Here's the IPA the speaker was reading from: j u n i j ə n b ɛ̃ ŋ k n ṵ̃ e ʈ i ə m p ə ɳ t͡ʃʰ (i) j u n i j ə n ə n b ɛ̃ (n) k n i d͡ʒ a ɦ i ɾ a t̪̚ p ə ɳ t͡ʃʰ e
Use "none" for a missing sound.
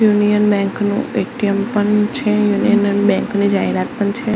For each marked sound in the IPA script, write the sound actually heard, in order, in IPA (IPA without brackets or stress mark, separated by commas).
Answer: e, ŋ